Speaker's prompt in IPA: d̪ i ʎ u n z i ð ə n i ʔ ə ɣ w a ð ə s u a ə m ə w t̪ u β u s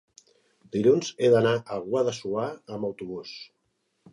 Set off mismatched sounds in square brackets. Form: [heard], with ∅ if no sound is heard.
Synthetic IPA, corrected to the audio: d̪ i ʎ u n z [e] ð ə n [a] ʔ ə ɣ w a ð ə s u a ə m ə w t̪ u β u s